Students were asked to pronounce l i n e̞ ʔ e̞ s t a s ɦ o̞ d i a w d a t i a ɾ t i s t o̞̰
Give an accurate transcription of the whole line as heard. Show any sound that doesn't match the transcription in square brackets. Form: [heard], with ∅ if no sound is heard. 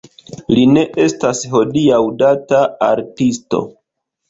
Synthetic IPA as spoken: l i n e̞ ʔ e̞ s t a s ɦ o̞ d i a w d a t [a] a ɾ t i s t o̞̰